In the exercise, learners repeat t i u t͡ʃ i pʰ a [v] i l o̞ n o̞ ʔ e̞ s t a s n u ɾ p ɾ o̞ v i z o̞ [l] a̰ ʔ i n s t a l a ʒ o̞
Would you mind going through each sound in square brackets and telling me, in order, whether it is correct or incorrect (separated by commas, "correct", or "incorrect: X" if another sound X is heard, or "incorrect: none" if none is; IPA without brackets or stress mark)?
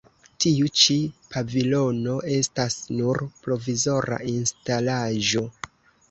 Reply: correct, incorrect: ɾ